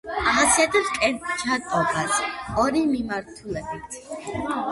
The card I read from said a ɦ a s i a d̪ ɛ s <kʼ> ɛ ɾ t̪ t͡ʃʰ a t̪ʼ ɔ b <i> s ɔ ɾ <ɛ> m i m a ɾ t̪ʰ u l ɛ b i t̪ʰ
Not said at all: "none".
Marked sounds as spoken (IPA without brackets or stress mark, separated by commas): kʼ, a, i